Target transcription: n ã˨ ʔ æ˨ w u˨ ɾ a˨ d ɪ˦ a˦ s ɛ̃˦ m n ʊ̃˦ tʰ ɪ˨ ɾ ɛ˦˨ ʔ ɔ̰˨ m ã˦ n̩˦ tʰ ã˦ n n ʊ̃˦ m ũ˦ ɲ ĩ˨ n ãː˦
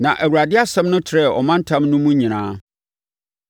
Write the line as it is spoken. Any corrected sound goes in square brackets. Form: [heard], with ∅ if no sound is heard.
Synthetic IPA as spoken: n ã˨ ʔ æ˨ w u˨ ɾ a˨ d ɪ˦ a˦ s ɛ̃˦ m n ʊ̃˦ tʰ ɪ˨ ɾ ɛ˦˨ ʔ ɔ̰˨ m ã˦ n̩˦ tʰ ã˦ [m] n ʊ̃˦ m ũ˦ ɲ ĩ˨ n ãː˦